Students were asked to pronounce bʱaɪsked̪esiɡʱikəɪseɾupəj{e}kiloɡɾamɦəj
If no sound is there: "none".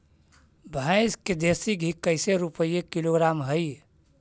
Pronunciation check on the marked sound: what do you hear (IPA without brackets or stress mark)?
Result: e